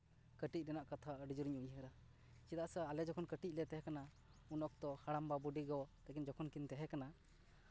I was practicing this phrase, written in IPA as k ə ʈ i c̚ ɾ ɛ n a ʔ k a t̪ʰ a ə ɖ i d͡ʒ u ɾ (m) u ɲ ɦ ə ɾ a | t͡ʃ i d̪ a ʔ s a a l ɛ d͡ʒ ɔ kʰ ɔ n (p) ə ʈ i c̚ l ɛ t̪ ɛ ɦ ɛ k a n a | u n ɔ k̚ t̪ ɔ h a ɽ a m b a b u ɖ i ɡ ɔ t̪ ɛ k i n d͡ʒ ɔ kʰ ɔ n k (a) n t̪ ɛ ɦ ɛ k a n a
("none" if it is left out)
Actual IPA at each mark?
ɲ, k, i

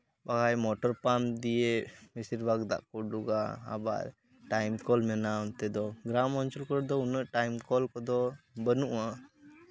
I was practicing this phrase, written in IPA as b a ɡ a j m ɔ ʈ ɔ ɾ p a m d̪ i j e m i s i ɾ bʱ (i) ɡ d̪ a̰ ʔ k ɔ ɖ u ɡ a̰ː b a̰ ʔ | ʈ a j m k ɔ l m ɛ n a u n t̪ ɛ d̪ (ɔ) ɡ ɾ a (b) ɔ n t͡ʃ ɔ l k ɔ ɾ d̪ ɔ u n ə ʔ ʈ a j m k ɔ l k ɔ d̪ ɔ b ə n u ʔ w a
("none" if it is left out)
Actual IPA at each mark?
a, ɔ, m

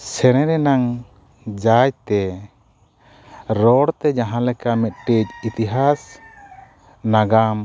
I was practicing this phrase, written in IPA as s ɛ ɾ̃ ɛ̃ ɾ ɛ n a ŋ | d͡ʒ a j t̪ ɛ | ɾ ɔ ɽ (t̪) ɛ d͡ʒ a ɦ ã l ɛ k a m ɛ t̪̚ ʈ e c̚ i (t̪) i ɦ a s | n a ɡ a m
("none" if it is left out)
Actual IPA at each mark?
t̪, t̪

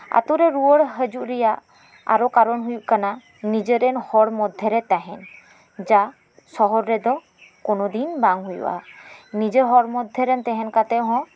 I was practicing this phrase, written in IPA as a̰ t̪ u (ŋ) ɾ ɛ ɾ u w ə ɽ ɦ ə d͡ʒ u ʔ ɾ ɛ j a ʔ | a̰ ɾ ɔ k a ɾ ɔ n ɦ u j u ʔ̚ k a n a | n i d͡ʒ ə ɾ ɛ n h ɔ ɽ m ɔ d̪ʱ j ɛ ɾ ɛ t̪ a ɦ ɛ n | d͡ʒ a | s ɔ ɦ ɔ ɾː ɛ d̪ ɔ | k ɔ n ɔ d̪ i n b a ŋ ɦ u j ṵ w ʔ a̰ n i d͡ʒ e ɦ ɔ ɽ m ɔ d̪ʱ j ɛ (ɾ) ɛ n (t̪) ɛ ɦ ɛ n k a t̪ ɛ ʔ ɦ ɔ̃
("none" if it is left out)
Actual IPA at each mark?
none, ɾ, t̪

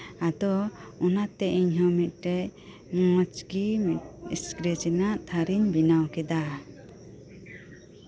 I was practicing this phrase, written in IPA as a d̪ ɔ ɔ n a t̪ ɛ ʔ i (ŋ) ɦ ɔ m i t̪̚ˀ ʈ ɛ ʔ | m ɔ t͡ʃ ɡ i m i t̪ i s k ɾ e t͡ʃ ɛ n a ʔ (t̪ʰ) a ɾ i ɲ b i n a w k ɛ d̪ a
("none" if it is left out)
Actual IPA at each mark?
ɲ, t̪ʰ

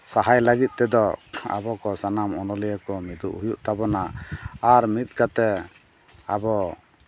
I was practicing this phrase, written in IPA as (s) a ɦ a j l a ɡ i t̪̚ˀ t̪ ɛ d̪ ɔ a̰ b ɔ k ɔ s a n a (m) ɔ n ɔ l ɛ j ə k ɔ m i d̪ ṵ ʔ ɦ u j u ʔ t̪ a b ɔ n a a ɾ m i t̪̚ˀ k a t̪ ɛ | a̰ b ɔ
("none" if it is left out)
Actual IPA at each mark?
s, m

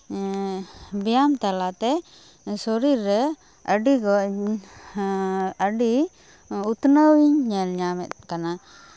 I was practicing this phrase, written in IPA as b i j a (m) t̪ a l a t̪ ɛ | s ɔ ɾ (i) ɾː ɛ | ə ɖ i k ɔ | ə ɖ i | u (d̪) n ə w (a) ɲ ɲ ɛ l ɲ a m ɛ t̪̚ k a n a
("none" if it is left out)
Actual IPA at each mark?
m, i, t̪, i

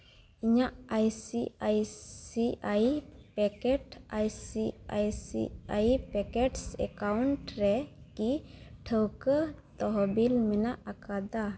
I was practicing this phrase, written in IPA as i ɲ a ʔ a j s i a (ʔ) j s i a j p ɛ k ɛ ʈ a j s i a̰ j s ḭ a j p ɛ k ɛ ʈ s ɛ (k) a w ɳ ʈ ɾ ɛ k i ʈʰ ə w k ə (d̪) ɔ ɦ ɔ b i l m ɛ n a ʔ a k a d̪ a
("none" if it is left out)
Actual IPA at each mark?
none, k, t̪

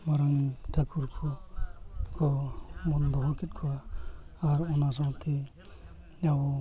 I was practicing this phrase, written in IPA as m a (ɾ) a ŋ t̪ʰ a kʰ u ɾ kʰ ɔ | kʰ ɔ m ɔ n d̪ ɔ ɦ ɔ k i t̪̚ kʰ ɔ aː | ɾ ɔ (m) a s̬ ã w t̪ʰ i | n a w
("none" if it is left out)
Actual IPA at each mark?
ɾ, n

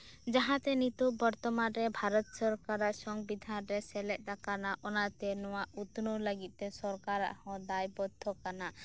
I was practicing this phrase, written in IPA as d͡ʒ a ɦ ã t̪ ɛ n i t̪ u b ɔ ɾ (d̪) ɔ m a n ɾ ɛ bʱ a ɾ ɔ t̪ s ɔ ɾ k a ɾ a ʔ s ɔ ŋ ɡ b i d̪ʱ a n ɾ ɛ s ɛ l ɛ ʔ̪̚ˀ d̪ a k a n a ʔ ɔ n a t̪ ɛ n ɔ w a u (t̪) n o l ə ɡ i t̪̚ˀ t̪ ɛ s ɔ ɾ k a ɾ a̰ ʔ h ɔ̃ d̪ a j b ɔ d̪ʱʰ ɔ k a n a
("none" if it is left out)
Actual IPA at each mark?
t̪, t̪

